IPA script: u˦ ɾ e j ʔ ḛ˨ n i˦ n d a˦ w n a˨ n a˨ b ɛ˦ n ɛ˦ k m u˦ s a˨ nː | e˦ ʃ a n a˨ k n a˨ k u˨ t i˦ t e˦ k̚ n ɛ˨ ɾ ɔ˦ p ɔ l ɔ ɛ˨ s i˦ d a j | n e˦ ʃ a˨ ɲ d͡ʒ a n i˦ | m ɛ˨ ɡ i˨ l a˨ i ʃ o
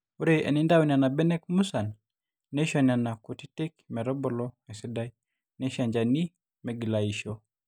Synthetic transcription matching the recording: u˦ ɾ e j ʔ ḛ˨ n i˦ n d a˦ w n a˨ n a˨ b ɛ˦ n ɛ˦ k m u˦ s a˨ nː | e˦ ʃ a n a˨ n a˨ k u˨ t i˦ t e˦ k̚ m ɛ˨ ɾ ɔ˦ b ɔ l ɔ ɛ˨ s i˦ d a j | n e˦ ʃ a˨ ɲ d͡ʒ a n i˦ | m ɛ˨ ɡ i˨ l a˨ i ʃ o